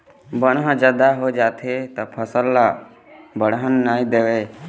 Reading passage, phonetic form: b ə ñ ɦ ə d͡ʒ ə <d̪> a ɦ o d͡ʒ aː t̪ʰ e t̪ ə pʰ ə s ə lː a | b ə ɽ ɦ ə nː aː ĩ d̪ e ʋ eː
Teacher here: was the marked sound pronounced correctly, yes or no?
yes